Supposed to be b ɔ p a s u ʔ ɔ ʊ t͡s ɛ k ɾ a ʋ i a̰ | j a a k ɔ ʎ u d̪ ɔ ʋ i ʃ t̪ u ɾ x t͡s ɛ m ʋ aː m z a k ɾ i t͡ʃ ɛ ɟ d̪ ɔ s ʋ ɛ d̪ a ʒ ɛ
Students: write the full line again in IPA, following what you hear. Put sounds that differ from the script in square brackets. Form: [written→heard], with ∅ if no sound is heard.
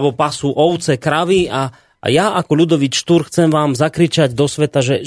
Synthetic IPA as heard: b ɔ p a s u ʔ ɔ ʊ t͡s ɛ k ɾ a ʋ i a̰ | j a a k ɔ ʎ u d̪ ɔ ʋ i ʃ t̪ u ɾ x t͡s ɛ m ʋ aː m z a k ɾ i t͡ʃ [ɛ→a] ɟ d̪ ɔ s ʋ ɛ [d̪→t̪] a ʒ ɛ